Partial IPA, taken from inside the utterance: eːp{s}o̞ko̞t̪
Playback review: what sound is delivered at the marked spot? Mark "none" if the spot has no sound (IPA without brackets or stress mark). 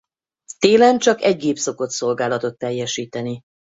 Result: s